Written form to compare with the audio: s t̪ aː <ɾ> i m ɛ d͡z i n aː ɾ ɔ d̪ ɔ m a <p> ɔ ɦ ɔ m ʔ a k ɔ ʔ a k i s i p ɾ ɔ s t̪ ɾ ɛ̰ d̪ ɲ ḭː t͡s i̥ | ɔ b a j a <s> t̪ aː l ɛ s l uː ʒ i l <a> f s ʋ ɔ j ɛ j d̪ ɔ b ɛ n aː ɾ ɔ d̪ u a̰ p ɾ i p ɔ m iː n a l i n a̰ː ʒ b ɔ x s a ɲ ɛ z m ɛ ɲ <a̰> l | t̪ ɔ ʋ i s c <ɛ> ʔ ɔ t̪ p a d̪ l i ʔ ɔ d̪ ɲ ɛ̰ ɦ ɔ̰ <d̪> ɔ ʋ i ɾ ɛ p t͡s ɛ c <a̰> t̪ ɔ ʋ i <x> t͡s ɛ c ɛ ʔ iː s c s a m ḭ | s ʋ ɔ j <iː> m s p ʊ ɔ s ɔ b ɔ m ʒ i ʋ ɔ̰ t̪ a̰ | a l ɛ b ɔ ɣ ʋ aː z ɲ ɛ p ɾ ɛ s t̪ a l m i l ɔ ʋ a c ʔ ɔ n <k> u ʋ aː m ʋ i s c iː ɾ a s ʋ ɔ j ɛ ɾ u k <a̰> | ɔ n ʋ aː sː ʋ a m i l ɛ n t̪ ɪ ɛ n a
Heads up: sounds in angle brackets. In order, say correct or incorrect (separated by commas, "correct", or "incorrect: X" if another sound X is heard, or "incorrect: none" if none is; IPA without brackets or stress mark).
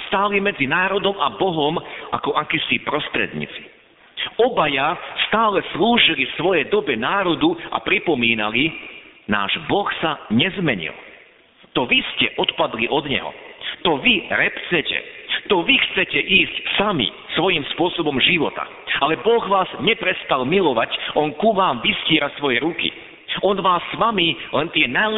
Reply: incorrect: l, incorrect: b, correct, incorrect: i, incorrect: ḭ, correct, incorrect: t̪, incorrect: ɛ̰, correct, incorrect: i, correct, incorrect: ḭ